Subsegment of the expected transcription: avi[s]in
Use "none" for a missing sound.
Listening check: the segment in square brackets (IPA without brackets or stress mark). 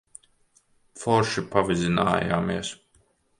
z